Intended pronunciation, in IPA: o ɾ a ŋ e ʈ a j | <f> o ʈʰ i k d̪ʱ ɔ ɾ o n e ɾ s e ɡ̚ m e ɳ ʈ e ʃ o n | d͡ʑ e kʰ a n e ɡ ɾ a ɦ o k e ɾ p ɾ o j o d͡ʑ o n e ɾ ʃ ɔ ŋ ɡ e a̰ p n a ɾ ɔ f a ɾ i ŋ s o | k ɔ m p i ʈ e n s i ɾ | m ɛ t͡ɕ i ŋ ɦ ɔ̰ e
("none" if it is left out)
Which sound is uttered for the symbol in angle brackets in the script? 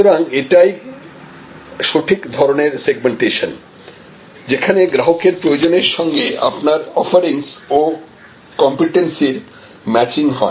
ʃ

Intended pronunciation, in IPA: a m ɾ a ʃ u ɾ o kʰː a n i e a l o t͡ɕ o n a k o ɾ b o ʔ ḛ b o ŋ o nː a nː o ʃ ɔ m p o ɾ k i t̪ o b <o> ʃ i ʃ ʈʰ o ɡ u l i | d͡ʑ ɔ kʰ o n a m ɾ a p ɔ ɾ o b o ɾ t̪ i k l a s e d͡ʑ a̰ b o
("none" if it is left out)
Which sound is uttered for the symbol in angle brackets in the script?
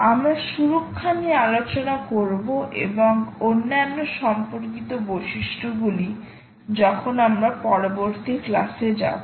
o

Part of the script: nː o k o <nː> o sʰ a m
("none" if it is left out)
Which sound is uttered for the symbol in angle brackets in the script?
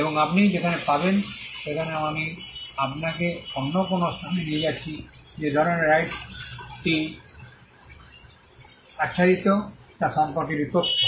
n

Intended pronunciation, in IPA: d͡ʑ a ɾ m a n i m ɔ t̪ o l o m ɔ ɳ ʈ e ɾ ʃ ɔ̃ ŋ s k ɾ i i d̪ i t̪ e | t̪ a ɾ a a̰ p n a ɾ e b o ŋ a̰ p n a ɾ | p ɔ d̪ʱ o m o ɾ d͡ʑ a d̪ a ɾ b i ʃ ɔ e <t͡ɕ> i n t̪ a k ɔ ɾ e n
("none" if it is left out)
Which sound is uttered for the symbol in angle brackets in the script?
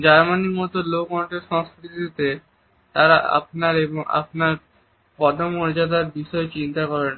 t͡ɕ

